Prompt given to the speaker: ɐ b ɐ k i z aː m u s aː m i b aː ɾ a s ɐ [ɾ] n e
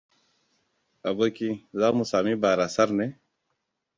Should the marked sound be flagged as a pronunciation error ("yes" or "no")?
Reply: no